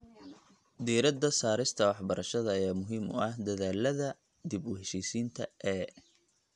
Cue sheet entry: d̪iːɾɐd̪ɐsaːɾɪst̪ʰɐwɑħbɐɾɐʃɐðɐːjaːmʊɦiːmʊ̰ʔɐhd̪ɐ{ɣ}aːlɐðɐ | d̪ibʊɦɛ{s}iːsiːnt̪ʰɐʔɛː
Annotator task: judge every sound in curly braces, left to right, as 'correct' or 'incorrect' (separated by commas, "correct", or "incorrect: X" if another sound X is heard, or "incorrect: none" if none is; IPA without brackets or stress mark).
incorrect: ð, incorrect: ʃ